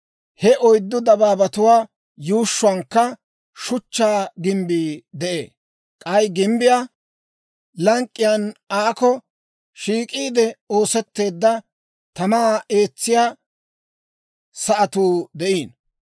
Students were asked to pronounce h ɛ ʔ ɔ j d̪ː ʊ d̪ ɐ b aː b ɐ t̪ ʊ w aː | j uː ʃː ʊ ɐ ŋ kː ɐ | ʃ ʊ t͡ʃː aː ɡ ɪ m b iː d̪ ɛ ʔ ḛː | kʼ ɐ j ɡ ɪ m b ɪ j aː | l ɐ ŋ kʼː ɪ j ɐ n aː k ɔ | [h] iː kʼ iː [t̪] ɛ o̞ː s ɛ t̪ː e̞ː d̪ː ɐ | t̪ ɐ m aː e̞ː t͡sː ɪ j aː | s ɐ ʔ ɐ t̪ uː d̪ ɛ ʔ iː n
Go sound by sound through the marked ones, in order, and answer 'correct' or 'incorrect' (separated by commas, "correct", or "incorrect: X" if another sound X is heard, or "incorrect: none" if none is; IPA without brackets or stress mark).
incorrect: ʃ, incorrect: d̪